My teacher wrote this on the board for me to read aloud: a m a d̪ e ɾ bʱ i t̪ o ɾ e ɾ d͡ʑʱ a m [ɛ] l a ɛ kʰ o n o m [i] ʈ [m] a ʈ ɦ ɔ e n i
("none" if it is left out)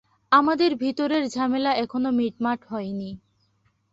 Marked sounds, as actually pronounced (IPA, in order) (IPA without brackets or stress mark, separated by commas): e, i, m